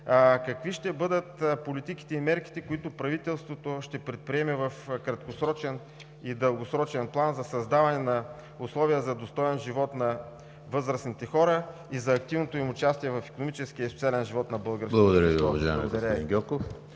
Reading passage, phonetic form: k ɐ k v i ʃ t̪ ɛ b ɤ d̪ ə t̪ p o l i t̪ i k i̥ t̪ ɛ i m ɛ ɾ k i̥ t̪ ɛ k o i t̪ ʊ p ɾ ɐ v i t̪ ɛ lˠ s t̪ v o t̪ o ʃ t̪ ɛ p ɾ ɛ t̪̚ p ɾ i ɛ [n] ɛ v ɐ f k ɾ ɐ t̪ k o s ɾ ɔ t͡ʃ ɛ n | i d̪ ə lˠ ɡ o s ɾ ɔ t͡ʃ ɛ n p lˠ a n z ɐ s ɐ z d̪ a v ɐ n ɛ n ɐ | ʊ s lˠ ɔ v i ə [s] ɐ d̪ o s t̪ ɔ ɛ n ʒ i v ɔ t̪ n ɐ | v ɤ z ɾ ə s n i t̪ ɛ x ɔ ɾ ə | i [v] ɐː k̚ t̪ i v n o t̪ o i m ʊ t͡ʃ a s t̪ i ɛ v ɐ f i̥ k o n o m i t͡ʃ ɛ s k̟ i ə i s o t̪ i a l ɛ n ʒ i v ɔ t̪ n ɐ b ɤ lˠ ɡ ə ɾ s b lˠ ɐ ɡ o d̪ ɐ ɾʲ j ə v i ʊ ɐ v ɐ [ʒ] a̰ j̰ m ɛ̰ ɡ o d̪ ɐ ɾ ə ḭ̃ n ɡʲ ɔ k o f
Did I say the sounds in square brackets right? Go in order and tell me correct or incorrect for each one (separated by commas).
incorrect, incorrect, incorrect, correct